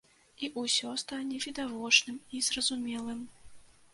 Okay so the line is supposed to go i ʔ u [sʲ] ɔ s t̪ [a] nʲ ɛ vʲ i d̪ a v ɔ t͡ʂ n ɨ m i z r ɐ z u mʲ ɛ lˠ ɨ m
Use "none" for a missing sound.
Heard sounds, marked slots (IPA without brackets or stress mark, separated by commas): sʲ, a